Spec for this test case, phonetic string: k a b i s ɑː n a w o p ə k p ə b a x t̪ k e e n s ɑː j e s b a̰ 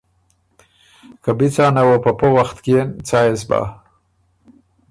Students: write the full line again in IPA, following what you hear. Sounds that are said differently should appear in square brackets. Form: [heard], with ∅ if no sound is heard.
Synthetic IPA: k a b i [t͡s] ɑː n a w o p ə [∅] p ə [w] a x t̪ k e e n [t͡s] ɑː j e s b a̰